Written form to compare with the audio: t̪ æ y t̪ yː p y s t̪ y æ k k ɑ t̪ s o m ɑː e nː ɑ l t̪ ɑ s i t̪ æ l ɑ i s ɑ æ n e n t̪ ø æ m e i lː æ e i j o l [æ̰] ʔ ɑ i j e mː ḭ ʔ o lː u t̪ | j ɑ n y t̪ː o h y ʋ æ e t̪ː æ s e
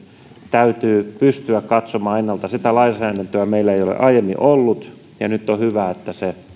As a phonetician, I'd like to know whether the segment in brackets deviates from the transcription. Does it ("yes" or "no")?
yes